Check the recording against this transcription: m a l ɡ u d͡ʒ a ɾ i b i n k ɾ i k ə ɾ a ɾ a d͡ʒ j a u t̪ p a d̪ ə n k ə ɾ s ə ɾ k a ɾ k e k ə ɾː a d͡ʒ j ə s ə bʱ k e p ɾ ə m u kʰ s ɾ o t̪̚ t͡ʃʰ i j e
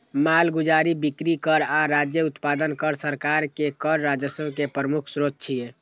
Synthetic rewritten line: m a l ɡ u d͡ʒ a ɾ i b i k ɾ i k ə ɾ a ɾ a d͡ʒ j ə u t̪ p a d̪ ə n k ə ɾ s ə ɾ k a ɾ k e k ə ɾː a d͡ʒ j ə s ə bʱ k e p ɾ ə m u kʰ s ɾ o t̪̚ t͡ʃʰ i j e